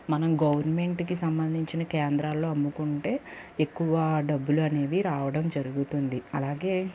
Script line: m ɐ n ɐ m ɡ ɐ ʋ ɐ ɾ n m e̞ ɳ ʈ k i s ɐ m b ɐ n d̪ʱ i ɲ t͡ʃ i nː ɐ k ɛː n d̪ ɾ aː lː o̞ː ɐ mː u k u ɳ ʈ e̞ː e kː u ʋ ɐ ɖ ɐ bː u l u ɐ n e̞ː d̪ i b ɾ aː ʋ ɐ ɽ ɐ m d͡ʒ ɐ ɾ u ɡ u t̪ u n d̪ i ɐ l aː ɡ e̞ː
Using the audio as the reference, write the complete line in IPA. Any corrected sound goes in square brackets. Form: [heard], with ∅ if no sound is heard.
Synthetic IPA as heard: m ɐ n ɐ m ɡ ɐ ʋ ɐ ɾ n m e̞ ɳ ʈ k i s ɐ m b ɐ n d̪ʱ i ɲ t͡ʃ i [n] ɐ k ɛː n d̪ ɾ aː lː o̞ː ɐ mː u k u ɳ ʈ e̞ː e kː u ʋ ɐ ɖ ɐ bː u l u ɐ n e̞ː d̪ i [∅] ɾ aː ʋ ɐ ɽ ɐ m d͡ʒ ɐ ɾ u ɡ u t̪ u n d̪ i ɐ l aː ɡ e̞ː